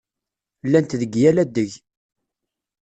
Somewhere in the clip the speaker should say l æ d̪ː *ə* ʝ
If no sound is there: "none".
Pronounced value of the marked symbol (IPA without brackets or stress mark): ə